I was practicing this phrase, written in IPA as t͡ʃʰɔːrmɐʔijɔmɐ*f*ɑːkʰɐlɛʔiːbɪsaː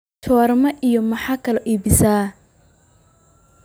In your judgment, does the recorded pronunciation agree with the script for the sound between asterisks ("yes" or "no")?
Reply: no